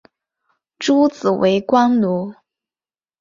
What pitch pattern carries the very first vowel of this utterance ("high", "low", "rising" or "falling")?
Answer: high